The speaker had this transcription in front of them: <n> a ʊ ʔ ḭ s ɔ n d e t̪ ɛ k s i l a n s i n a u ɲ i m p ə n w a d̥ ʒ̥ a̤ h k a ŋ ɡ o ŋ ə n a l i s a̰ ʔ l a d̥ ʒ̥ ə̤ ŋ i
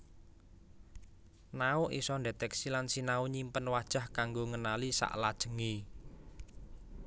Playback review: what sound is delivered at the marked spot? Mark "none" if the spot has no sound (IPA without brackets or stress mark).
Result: n